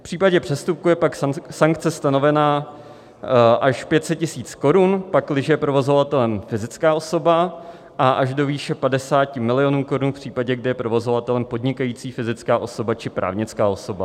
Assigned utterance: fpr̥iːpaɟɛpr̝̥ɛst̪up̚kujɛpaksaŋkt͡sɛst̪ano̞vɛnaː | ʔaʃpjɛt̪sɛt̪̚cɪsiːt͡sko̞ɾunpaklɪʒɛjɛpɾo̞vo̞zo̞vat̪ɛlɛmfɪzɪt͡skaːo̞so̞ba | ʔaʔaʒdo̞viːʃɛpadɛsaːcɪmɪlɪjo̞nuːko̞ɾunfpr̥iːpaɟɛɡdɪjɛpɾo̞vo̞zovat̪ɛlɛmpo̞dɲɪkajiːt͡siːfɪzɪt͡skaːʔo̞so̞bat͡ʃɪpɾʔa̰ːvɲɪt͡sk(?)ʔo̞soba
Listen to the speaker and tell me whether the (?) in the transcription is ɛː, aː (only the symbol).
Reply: aː